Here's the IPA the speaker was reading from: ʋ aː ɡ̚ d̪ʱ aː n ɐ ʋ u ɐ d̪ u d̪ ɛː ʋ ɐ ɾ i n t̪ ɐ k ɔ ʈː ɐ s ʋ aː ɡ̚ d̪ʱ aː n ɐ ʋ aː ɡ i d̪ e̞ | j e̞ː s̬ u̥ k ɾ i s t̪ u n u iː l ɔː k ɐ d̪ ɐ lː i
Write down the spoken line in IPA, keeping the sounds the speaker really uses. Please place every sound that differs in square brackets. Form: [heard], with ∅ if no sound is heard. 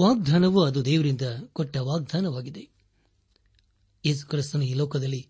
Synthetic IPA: ʋ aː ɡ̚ d̪ʱ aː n ɐ ʋ u ɐ d̪ u d̪ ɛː ʋ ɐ ɾ i n [d̪] ɐ k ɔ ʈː ɐ [∅] ʋ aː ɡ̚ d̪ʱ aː n ɐ ʋ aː ɡ i d̪ e̞ | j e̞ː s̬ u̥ k ɾ i s t̪ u n u iː l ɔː k ɐ d̪ ɐ lː i